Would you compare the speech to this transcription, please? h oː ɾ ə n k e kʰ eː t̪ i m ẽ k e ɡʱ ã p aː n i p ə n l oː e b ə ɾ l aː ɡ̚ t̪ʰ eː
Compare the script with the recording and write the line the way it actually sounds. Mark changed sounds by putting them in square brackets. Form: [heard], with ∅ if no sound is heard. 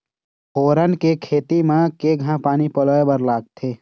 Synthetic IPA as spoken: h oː ɾ ə n k e kʰ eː t̪ i m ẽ k e ɡʱ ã p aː n i p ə [∅] l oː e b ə ɾ l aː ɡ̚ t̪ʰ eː